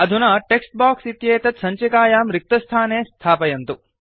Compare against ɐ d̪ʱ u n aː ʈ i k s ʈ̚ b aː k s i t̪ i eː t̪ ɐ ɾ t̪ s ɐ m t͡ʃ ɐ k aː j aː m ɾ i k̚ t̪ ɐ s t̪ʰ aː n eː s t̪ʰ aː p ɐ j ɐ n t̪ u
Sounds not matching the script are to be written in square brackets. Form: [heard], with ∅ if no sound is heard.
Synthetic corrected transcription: ɐ d̪ʱ u n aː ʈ [e] k s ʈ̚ b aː k s i t̪ [j] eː t̪ ɐ [∅] t̪ s ɐ [ɲ] t͡ʃ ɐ k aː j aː m ɾ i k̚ t̪ ɐ s t̪ʰ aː n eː s t̪ʰ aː p ɐ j ɐ n t̪ u